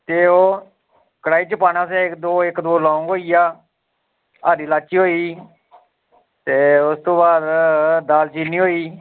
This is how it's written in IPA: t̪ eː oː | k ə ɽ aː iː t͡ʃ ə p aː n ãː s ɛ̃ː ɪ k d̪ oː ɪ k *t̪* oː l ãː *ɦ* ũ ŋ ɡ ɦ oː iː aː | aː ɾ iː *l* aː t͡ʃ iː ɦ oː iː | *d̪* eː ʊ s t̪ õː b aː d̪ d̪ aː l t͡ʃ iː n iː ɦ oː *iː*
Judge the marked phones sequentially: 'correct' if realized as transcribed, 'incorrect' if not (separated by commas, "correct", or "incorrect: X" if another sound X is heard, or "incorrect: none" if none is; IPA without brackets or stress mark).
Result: incorrect: d̪, incorrect: none, correct, incorrect: t̪, correct